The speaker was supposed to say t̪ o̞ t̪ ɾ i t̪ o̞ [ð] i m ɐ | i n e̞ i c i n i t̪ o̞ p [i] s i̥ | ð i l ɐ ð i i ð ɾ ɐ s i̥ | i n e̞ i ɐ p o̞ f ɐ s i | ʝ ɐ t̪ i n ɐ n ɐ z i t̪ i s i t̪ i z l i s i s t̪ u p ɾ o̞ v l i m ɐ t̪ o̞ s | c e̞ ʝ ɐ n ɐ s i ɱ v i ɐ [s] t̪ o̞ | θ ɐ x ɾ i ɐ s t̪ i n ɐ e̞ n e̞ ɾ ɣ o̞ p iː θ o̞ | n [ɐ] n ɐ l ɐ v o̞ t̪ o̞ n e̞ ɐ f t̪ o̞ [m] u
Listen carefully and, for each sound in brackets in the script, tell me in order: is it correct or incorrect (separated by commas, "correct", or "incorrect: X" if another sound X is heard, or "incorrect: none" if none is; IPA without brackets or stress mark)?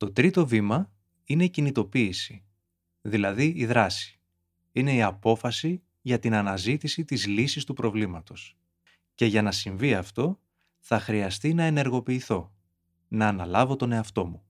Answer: incorrect: v, incorrect: iː, incorrect: f, incorrect: ɐː, correct